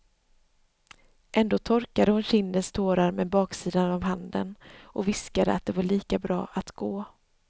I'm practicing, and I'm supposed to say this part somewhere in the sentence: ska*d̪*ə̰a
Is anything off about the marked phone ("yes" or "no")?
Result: no